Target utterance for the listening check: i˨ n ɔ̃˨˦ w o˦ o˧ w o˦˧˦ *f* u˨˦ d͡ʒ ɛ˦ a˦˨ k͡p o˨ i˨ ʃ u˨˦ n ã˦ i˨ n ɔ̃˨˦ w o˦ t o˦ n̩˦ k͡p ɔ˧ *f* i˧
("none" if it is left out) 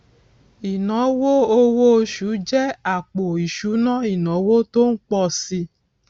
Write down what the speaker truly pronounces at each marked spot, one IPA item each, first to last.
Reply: ʃ, s

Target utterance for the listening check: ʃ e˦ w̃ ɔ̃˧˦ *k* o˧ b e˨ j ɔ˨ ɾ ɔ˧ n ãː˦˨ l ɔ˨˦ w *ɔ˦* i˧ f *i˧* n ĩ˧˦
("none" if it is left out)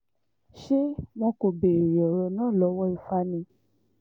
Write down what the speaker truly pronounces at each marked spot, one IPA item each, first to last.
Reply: k, ɔ˦, a˧

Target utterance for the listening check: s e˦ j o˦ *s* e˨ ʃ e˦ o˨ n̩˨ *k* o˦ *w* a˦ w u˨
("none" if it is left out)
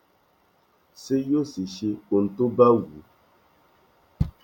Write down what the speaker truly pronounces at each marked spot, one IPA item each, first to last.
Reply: s, t, b

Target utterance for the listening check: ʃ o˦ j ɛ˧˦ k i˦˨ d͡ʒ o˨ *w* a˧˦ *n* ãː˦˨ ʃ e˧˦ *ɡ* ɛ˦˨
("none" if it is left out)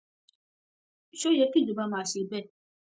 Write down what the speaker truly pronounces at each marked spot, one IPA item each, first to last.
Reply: b, m, b

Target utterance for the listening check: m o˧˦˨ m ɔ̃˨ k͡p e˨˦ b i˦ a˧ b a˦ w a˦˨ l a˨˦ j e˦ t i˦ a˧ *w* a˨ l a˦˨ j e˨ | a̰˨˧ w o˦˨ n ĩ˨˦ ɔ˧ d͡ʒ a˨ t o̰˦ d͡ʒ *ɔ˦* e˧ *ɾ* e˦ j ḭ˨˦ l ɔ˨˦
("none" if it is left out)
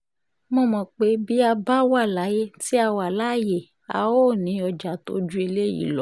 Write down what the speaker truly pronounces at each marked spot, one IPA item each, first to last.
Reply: w, u˦, l

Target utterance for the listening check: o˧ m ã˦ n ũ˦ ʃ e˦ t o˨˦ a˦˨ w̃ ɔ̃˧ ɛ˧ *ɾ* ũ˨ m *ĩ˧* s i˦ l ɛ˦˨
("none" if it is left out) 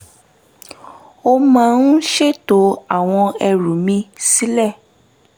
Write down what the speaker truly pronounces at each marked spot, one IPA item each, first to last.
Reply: ɾ, ĩ˧

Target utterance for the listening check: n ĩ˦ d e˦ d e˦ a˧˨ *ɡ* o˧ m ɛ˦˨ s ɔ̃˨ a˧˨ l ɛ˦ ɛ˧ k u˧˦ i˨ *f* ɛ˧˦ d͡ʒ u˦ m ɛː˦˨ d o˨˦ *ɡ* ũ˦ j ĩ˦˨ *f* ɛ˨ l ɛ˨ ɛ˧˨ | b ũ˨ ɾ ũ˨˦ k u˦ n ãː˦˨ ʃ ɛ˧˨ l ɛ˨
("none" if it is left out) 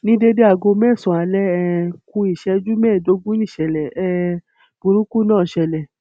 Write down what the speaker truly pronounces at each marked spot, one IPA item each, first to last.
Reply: ɡ, ʃ, ɡ, ʃ

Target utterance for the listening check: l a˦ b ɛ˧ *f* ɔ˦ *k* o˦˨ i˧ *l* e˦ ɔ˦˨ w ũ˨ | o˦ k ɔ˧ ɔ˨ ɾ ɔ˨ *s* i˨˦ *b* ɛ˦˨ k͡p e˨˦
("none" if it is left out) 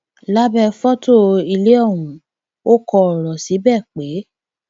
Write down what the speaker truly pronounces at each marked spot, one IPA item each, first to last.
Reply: f, t, l, s, b

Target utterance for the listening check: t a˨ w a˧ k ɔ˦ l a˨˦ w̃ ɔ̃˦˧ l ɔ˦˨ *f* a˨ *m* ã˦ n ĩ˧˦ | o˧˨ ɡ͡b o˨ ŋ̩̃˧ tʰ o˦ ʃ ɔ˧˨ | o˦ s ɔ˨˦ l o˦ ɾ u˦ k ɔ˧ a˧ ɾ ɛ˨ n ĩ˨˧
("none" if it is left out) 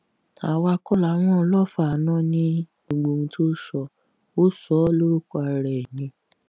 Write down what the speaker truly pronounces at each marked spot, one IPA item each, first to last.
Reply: f, n

